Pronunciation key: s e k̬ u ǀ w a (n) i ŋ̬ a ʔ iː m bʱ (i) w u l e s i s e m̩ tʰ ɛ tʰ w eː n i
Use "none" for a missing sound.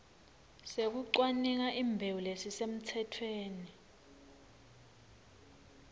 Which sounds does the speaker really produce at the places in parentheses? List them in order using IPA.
n, e

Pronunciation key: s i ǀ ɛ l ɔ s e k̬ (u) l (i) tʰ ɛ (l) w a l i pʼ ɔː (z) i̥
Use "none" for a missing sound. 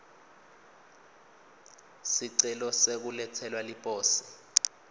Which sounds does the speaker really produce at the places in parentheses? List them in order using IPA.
u, ɛ, l, s

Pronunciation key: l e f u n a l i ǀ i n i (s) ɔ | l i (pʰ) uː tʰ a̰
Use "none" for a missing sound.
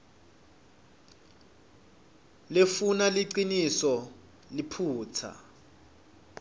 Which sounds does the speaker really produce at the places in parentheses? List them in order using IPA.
s, pʰ

